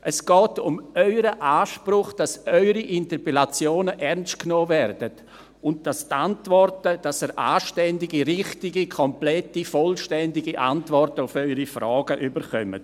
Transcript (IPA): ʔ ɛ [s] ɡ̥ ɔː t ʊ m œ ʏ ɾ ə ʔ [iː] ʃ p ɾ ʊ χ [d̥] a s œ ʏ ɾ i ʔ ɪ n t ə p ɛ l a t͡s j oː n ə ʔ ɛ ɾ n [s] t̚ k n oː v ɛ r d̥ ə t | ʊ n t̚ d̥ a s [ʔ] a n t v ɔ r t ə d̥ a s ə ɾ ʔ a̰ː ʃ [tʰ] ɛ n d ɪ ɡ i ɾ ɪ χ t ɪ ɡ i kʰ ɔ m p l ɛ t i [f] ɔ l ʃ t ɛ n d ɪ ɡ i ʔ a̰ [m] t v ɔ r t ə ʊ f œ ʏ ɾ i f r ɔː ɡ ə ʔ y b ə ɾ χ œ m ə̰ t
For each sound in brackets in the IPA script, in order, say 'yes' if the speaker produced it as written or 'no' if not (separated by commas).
yes, no, yes, yes, no, no, yes, no